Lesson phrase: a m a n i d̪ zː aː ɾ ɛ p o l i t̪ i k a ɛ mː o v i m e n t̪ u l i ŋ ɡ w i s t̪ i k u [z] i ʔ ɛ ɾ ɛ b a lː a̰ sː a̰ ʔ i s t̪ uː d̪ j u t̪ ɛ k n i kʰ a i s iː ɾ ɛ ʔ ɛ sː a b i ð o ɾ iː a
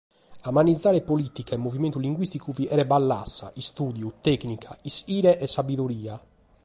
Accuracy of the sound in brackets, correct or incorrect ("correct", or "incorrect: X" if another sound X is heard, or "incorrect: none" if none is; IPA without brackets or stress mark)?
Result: incorrect: v